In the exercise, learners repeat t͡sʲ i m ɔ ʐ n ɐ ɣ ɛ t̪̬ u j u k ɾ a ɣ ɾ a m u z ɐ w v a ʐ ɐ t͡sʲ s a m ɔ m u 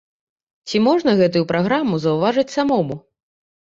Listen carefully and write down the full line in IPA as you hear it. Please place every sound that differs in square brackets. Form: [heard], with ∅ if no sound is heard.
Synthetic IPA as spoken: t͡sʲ i m ɔ ʐ n ɐ ɣ ɛ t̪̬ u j u [p] ɾ a ɣ ɾ a m u z ɐ w v a ʐ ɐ t͡sʲ s a m ɔ m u